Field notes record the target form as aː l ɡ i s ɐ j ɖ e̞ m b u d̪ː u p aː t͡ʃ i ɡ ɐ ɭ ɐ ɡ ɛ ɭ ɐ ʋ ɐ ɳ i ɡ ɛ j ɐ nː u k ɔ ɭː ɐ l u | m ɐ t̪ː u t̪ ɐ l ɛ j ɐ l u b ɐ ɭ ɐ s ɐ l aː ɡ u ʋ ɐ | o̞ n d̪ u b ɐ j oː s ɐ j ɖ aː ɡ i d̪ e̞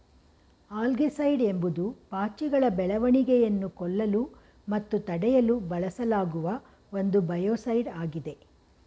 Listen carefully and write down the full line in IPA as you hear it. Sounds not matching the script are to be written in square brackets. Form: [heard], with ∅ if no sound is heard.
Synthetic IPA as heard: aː l ɡ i s ɐ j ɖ e̞ m b u [d̪] u p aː t͡ʃ i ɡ ɐ ɭ ɐ [b] ɛ ɭ ɐ ʋ ɐ ɳ i ɡ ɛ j ɐ nː u k ɔ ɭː ɐ l u | m ɐ t̪ː u t̪ ɐ [ɽ] ɛ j ɐ l u b ɐ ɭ ɐ s ɐ l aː ɡ u ʋ ɐ | o̞ n d̪ u b ɐ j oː s ɐ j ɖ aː ɡ i d̪ e̞